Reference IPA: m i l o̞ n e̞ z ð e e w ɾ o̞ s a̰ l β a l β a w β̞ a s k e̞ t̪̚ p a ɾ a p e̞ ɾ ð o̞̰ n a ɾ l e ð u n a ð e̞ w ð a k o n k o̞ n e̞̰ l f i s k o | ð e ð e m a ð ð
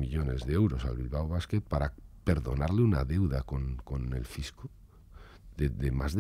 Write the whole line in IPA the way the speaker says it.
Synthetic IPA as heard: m i ʎ o̞ n e̞ z ð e e w ɾ o̞ s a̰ l β i l β a w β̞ a s k e̞ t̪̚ p a ɾ a p e̞ ɾ ð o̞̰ n a ɾ l e u n a ð e̞ w ð a k o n k o̞ n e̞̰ l f i s k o | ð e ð e m a z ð